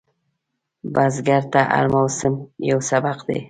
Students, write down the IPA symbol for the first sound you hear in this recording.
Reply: b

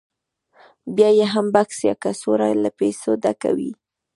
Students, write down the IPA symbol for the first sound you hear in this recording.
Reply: b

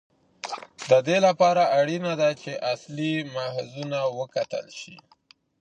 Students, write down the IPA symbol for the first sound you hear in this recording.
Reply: d̪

